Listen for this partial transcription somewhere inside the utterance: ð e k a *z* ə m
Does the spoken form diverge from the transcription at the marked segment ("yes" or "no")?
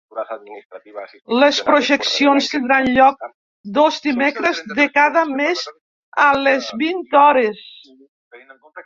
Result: yes